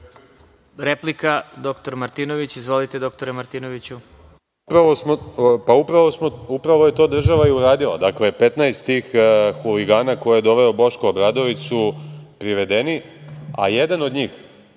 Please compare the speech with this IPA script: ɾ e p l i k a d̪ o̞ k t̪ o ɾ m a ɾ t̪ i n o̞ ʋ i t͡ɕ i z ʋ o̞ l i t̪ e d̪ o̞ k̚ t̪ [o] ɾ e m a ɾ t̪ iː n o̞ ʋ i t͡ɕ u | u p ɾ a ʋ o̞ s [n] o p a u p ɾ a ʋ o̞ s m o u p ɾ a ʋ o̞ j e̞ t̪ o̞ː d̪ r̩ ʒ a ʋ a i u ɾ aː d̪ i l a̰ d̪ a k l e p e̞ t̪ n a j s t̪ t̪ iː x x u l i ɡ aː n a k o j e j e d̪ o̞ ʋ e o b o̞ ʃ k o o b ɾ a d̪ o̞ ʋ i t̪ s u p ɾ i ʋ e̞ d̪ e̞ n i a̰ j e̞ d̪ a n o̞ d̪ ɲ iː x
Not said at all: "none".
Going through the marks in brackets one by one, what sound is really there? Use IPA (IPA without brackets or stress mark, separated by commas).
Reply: o, m